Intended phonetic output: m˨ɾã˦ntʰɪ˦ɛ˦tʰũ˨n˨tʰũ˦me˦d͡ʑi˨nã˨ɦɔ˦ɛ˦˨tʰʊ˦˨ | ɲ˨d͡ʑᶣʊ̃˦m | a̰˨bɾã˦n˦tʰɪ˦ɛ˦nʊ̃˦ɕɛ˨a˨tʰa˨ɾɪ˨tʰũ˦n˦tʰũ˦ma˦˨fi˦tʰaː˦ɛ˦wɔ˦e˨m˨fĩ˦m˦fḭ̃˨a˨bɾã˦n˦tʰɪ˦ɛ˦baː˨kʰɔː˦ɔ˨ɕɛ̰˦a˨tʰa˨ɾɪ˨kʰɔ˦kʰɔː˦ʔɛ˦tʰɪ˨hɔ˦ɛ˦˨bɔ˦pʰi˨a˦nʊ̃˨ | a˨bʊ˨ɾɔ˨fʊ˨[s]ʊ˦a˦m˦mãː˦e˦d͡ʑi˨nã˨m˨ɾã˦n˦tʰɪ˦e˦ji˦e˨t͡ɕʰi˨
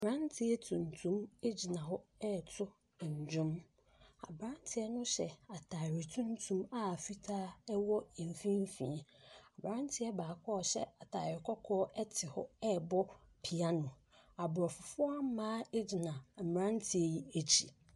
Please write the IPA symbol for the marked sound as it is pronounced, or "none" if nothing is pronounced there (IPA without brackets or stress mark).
f